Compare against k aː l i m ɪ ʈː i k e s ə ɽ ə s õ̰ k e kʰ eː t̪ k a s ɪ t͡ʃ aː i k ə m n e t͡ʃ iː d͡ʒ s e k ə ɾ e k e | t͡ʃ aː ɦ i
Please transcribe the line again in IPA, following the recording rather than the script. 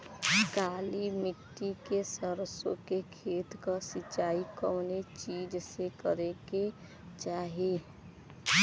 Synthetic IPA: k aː l i m ɪ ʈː i k e s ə ɾ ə s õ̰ k e kʰ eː t̪ k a s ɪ t͡ʃ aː i k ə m n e t͡ʃ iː d͡ʒ s e k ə ɾ e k e | t͡ʃ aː ɦ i